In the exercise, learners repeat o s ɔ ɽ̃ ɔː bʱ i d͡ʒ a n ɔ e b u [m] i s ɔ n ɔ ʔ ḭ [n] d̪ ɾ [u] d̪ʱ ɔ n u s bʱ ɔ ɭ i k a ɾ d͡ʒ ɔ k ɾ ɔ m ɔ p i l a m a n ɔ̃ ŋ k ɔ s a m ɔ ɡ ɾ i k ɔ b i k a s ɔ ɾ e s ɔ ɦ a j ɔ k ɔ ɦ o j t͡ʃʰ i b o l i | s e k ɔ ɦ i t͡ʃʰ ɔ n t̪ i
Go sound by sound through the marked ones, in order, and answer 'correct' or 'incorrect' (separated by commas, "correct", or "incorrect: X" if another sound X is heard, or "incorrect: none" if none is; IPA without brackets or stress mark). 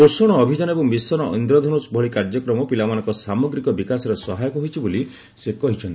correct, correct, incorrect: ɔ